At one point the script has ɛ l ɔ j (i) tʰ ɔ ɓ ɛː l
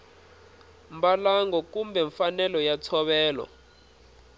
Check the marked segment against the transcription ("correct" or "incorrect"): incorrect